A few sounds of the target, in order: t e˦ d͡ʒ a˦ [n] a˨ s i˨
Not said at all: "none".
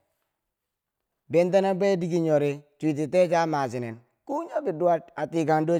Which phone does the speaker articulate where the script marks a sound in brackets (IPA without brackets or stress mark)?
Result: m